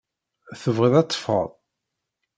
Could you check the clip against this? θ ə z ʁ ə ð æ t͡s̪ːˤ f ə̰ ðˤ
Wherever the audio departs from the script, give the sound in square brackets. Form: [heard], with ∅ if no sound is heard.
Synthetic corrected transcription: θ ə [v] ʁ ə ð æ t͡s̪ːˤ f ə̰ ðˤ